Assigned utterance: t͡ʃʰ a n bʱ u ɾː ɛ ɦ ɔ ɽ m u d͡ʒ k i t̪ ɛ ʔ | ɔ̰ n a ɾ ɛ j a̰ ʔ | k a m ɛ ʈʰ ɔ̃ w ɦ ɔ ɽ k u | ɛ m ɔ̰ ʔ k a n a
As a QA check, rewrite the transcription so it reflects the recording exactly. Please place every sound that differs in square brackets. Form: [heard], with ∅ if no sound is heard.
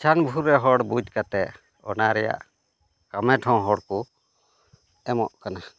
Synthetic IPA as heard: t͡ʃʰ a n bʱ u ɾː ɛ ɦ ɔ ɽ [b] u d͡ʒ k [a] t̪ ɛ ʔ | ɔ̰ n a ɾ ɛ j a̰ ʔ | k a m ɛ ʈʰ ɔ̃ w ɦ ɔ ɽ k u | ɛ m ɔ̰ ʔ k a n a

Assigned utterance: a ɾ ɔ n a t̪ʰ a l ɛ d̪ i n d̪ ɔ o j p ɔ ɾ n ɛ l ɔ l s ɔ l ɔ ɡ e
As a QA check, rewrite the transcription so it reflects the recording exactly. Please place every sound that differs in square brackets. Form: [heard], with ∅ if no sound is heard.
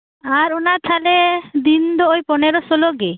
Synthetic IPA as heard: a ɾ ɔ n a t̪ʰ a l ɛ d̪ i n d̪ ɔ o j p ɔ [∅] n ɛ [ɾ] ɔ [∅] s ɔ l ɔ ɡ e

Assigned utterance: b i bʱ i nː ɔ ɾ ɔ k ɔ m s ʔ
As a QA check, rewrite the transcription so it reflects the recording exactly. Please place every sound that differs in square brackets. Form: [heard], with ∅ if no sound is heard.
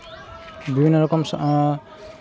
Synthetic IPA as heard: b i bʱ i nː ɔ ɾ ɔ k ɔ m s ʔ

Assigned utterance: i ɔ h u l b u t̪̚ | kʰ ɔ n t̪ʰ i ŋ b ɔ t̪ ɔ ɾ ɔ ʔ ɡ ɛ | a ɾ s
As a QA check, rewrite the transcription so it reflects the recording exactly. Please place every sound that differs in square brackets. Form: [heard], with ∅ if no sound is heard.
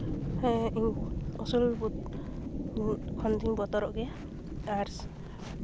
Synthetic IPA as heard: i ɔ [s] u l b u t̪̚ | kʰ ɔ n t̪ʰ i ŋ b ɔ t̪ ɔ ɾ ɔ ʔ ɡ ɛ | a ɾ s

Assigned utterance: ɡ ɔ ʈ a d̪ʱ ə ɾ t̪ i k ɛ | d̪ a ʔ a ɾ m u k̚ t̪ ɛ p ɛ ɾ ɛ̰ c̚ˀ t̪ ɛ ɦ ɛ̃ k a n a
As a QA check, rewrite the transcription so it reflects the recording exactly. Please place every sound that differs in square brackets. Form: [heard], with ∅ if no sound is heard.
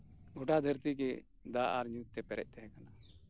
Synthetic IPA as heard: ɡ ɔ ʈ a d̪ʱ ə ɾ t̪ i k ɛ | d̪ a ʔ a ɾ [ɲ] u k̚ t̪ ɛ p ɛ ɾ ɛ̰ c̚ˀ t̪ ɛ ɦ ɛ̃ k a n a

